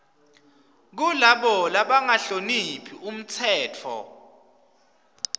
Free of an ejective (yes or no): yes